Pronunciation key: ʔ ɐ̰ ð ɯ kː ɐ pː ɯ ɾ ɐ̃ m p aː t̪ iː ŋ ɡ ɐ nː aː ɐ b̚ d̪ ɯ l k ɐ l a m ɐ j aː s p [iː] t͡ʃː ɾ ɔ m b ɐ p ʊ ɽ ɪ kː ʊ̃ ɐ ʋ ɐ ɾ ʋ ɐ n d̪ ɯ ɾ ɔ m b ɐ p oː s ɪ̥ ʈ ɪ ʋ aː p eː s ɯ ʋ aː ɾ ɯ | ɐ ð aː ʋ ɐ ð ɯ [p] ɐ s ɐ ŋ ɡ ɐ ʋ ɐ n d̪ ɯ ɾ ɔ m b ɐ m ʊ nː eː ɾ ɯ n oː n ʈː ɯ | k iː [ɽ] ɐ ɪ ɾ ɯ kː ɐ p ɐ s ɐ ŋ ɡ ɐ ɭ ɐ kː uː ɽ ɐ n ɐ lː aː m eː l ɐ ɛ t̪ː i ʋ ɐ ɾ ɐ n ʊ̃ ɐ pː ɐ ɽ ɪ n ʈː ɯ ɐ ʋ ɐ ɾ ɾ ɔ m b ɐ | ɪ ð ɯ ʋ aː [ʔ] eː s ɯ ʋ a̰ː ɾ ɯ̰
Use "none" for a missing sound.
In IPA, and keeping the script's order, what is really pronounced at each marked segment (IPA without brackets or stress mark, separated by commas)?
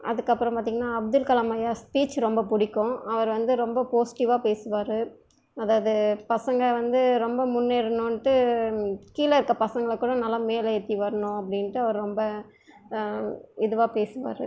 iː, p, l, p